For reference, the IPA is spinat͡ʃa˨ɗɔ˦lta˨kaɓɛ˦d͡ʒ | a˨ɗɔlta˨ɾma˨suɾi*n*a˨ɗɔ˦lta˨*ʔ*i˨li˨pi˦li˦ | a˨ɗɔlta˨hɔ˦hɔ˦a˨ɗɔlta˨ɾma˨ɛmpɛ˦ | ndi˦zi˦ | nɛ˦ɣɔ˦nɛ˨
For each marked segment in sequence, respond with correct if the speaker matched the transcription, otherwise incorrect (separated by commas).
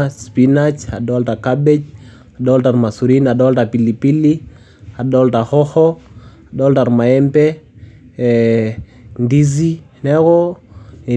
correct, incorrect